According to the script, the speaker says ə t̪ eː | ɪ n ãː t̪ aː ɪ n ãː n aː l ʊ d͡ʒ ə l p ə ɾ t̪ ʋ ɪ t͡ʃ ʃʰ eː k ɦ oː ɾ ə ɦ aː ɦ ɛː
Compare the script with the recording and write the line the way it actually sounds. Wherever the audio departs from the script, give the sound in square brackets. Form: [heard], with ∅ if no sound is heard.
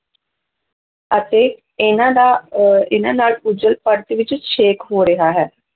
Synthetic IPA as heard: ə t̪ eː | ɪ n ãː [d̪] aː ɪ n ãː n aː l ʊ d͡ʒ ə l p ə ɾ t̪ ʋ ɪ t͡ʃ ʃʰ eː k ɦ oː ɾ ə ɦ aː ɦ ɛː